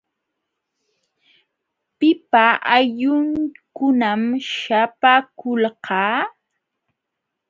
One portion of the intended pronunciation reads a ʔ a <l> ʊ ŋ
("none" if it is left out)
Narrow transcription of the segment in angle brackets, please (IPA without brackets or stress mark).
ʎ